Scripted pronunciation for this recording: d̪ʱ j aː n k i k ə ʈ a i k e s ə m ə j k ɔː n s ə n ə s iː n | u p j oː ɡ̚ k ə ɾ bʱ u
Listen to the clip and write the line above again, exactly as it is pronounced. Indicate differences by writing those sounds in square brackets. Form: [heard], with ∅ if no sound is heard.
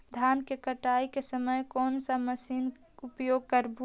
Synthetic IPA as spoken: d̪ʱ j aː n k [e] k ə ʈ a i k e s ə m ə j k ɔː n s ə [m] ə s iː n | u p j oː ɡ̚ k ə ɾ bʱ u